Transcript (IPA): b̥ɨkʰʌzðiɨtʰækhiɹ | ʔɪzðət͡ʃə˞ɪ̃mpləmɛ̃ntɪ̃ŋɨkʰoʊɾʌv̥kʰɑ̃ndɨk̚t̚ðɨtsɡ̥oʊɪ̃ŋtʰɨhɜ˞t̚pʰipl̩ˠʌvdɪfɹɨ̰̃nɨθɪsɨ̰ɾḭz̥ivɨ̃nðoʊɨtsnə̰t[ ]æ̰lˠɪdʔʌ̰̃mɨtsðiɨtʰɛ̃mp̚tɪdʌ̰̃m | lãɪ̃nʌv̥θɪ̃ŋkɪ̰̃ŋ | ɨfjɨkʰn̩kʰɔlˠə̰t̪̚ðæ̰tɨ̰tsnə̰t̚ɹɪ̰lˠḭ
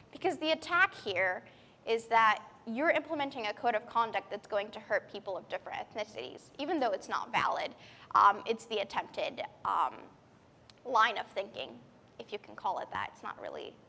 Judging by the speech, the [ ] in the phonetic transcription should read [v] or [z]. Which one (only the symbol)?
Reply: v